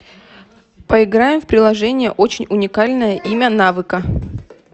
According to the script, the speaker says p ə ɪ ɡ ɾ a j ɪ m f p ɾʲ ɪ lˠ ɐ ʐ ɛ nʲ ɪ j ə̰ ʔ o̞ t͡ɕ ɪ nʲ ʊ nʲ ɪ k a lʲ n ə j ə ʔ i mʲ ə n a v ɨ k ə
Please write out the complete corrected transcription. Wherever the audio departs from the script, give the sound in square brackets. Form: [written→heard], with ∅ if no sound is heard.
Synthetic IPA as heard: p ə ɪ ɡ ɾ a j ɪ m f p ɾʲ ɪ lˠ ɐ ʐ ɛ nʲ ɪ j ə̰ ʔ o̞ t͡ɕ ɪ nʲ ʊ nʲ ɪ k a lʲ n ə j ə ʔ i mʲ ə n a v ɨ k ə